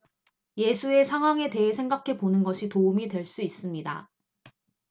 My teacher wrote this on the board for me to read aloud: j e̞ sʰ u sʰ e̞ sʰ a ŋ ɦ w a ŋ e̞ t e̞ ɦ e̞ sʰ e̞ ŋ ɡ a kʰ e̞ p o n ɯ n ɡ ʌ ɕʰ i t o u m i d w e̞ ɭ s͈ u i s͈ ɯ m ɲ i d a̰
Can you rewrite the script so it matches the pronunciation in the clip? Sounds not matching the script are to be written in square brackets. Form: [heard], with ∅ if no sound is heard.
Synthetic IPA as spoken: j e̞ sʰ u [∅] e̞ sʰ a ŋ ɦ w a ŋ e̞ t e̞ ɦ e̞ sʰ e̞ ŋ ɡ a kʰ e̞ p o n ɯ n ɡ ʌ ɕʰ i t o u m i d w e̞ ɭ s͈ u i s͈ ɯ m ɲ i d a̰